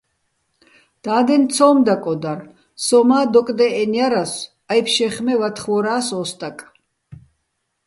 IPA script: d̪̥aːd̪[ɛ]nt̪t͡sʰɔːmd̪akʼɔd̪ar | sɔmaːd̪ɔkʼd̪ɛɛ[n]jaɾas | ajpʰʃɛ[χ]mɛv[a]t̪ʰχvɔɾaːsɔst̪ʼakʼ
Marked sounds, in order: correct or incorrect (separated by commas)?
correct, correct, correct, correct